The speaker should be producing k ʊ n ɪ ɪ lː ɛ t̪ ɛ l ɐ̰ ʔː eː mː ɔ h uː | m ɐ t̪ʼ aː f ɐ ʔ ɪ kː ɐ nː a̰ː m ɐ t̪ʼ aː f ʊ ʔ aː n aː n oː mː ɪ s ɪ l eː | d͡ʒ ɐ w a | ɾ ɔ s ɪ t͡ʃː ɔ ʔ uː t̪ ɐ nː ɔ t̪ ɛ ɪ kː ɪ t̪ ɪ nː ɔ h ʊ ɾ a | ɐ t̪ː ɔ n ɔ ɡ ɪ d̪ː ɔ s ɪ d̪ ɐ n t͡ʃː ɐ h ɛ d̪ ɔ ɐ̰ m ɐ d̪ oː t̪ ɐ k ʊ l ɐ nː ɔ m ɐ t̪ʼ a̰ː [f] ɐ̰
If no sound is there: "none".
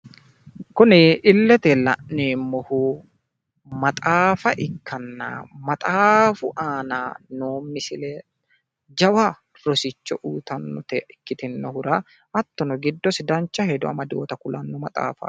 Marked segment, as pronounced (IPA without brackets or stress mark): f